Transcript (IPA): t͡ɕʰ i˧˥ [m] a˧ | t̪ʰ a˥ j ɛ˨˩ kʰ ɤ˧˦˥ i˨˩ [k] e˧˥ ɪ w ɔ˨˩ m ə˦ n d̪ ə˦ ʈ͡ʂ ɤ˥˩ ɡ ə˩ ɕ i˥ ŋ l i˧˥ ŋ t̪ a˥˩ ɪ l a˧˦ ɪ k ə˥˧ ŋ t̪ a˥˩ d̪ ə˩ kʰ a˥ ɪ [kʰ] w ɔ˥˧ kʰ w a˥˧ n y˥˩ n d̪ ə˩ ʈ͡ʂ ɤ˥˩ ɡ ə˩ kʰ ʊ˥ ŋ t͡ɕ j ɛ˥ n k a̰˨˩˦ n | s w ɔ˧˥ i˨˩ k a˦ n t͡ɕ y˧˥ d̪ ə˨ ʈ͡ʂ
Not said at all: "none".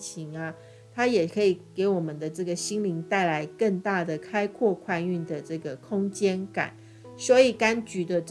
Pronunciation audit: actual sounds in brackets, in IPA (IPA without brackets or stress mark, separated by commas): ŋ, k, kʰ